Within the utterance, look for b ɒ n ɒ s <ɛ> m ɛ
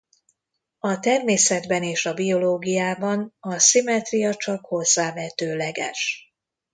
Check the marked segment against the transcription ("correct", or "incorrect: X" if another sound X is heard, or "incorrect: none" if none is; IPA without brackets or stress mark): incorrect: i